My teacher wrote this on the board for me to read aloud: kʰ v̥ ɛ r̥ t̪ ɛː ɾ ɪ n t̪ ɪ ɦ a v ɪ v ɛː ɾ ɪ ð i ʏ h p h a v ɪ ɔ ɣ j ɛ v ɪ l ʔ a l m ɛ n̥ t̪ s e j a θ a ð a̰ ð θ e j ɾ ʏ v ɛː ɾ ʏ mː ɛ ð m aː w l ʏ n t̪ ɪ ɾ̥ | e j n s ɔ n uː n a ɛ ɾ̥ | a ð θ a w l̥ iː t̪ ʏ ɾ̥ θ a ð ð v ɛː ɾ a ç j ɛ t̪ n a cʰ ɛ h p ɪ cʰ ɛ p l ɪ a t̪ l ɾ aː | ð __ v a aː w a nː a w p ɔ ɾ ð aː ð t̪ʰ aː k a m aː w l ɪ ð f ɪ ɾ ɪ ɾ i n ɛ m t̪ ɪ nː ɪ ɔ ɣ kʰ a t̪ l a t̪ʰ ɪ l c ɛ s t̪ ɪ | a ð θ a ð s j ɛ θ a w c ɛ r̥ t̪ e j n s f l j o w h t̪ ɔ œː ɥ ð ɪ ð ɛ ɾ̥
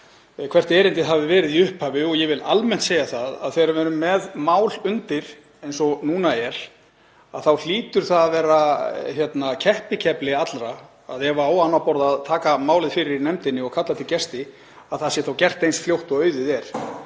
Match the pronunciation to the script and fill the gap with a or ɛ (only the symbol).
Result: ɛ